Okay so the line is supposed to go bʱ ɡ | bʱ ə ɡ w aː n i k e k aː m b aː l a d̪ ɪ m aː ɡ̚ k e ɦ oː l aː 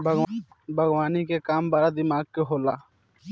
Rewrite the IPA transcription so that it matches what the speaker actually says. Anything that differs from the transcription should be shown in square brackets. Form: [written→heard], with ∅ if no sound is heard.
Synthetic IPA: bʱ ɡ | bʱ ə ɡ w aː n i k e k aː m b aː [l→ɾ] a d̪ ɪ m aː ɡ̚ k e ɦ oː l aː